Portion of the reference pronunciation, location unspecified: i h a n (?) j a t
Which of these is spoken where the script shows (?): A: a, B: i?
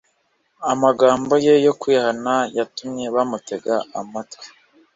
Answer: A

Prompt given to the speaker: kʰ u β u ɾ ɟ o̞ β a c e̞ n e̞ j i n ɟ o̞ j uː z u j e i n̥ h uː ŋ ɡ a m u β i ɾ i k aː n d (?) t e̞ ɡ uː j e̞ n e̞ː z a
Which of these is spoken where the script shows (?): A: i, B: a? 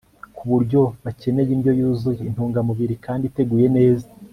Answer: A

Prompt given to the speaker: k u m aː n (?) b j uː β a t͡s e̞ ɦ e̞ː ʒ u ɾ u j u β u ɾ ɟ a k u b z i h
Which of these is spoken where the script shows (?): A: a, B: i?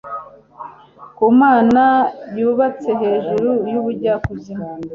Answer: A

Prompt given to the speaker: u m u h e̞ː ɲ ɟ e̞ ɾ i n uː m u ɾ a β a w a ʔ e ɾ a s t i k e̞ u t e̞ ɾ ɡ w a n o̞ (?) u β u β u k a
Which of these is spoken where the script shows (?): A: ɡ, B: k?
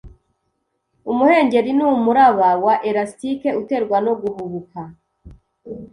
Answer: A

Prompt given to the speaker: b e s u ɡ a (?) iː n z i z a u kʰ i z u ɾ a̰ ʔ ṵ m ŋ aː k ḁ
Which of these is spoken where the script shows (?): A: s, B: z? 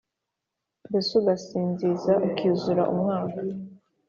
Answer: A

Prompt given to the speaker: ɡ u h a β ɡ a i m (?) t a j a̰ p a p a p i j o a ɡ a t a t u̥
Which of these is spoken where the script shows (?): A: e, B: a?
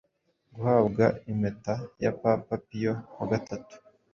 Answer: A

